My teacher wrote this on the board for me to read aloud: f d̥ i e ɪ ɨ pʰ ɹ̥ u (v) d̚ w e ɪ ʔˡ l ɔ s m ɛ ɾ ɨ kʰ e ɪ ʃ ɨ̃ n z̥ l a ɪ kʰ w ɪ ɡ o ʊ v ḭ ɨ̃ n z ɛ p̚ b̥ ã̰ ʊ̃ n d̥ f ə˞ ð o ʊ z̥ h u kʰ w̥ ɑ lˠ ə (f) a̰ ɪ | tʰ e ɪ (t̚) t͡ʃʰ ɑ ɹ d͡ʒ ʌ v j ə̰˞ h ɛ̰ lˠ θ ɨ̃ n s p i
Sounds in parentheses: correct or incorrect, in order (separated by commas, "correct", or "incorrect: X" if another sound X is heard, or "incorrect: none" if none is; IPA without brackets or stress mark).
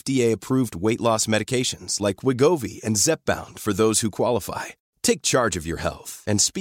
correct, correct, incorrect: k̚